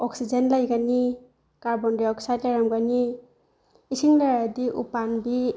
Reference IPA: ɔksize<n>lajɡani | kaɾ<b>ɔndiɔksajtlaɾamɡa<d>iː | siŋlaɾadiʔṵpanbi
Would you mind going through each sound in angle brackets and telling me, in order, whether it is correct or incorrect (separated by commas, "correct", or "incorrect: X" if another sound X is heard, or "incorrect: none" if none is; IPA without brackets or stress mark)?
correct, correct, incorrect: n